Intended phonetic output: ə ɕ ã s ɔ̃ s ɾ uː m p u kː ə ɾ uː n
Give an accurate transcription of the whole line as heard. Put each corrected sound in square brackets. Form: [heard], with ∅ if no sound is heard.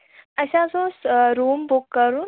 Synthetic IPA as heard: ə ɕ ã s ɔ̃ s ɾ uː m [b] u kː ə ɾ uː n